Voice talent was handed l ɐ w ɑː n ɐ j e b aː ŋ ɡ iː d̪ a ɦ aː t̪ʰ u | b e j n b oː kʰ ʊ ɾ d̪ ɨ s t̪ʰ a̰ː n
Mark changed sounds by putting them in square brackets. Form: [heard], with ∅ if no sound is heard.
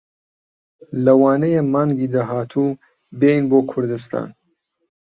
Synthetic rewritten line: l ɐ w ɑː n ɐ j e [m] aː ŋ ɡ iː d̪ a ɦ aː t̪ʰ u | b e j n b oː kʰ ʊ ɾ d̪ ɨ s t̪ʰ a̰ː n